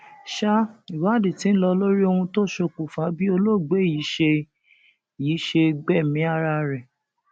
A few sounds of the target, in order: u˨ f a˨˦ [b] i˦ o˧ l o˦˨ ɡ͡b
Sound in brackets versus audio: correct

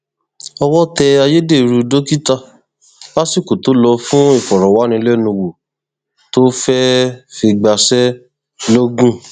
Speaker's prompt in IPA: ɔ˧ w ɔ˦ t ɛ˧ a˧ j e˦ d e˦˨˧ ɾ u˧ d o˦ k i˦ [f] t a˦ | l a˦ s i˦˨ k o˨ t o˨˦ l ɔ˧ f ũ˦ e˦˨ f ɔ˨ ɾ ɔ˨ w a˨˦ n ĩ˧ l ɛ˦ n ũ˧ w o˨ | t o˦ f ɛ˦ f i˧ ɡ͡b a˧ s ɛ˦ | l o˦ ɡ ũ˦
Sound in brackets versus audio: incorrect: none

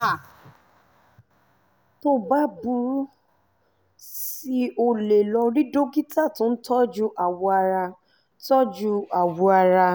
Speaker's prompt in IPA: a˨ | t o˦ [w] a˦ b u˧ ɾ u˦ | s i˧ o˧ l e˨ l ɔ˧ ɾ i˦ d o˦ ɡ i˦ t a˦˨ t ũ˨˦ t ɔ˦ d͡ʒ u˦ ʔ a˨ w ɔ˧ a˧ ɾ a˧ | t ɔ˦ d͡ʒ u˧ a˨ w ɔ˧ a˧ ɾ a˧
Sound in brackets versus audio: incorrect: b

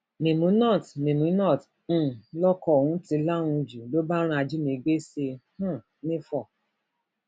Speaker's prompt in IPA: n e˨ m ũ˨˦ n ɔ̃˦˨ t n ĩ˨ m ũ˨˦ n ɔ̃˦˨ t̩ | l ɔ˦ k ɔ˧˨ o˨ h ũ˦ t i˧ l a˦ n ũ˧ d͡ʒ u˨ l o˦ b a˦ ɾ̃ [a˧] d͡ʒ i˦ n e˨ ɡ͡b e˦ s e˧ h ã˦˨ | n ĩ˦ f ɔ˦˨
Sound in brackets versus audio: correct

